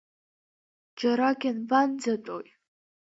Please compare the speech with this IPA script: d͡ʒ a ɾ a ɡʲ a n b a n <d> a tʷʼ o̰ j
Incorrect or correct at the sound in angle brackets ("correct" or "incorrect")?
incorrect